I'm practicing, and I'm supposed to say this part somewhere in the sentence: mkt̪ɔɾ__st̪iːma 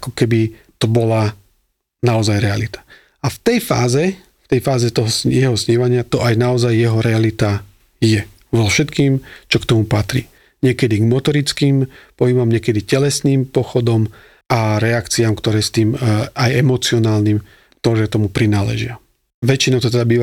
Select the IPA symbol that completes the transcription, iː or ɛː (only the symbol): ɛː